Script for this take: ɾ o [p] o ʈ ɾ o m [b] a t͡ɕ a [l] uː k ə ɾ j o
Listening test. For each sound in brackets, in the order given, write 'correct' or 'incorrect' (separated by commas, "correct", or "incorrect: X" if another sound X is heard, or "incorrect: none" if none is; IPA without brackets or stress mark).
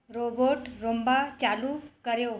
incorrect: b, correct, correct